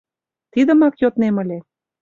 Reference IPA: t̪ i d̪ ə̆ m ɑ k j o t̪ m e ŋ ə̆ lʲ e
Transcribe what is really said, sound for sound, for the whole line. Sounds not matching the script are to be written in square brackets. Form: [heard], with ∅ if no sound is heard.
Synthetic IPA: t̪ i d̪ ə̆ m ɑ k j o t̪ [n] e [m] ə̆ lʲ e